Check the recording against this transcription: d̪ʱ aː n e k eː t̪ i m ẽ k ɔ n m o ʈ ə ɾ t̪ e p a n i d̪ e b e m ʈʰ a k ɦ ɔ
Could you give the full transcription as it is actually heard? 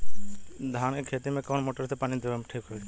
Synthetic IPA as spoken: d̪ʱ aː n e kʰ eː t̪ i m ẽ k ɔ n m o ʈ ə ɾ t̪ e p a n i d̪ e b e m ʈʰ i k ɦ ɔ